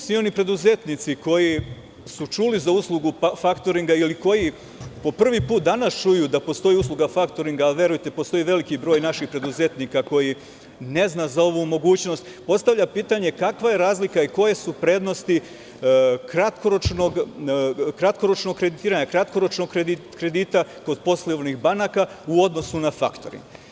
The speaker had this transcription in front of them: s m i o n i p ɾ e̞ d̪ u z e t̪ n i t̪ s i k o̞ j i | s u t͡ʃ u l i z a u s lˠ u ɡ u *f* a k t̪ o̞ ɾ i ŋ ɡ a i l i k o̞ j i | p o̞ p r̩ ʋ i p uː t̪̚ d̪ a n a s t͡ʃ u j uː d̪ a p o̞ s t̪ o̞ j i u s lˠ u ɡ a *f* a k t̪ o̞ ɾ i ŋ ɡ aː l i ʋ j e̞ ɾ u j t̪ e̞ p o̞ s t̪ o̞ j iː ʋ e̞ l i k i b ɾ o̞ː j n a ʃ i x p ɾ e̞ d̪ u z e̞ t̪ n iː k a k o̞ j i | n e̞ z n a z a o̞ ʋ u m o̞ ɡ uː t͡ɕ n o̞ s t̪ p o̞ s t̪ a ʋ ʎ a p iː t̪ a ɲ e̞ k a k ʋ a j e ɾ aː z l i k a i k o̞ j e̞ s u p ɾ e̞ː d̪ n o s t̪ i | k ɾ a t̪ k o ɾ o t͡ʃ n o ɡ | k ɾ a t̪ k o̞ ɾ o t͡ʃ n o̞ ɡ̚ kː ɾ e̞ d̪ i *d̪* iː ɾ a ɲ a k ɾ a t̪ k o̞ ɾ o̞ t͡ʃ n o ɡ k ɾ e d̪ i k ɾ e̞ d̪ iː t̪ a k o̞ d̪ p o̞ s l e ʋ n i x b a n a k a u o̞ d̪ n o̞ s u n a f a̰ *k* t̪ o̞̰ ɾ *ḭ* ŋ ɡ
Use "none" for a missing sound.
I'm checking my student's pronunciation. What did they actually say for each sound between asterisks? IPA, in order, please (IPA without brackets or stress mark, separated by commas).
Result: f, f, t̪, k, ḭ